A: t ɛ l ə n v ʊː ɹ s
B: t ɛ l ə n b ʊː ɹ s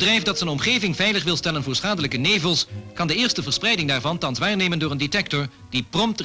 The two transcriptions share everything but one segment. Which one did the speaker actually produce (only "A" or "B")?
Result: A